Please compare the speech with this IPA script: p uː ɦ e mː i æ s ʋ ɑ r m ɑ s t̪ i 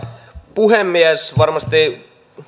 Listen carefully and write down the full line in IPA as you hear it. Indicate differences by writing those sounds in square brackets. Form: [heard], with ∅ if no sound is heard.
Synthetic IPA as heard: p [u] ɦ e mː i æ s ʋ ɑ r m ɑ s t̪ i